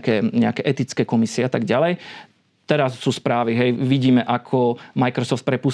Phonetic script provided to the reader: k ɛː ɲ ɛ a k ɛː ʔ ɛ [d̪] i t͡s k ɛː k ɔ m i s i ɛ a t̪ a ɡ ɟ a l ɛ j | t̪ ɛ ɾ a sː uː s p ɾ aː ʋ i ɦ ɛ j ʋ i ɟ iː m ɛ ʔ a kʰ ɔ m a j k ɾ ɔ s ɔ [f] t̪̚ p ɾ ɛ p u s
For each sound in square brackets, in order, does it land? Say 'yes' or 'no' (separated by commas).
no, yes